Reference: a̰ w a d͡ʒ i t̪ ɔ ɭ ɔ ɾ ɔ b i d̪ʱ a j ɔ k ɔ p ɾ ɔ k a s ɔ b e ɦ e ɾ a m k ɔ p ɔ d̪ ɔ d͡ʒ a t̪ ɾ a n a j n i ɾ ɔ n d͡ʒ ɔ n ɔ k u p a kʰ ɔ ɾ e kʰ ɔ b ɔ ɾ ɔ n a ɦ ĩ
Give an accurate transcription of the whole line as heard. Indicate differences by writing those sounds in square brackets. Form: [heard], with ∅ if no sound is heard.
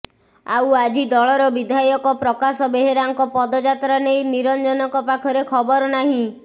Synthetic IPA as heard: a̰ w a d͡ʒ i [d̪] ɔ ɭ ɔ ɾ ɔ b i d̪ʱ a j ɔ k ɔ p ɾ ɔ k a s ɔ b e ɦ e ɾ a [ŋ] k ɔ p ɔ d̪ ɔ d͡ʒ a t̪ ɾ a n [e] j n i ɾ ɔ n d͡ʒ ɔ n ɔ k [ɔ] p a kʰ ɔ ɾ e kʰ ɔ b ɔ ɾ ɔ n a ɦ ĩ